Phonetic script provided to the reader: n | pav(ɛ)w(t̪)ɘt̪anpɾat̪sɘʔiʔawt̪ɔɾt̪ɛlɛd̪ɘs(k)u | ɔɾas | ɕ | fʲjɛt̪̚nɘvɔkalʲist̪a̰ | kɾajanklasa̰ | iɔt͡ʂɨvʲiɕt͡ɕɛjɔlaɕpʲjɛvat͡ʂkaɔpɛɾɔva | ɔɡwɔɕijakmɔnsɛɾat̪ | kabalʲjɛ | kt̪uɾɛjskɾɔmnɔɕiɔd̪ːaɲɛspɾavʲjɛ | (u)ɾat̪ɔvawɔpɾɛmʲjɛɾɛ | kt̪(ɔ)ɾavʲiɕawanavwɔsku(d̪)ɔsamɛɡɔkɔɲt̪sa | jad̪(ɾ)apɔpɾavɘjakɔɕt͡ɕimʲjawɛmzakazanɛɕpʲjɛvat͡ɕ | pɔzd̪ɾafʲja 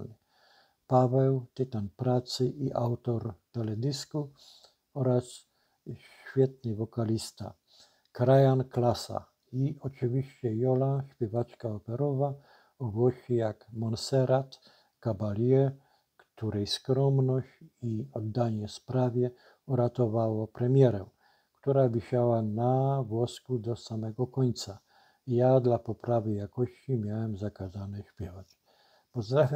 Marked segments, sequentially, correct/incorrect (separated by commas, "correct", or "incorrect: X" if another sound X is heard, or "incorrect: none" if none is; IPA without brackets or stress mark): correct, correct, correct, correct, incorrect: u, correct, incorrect: l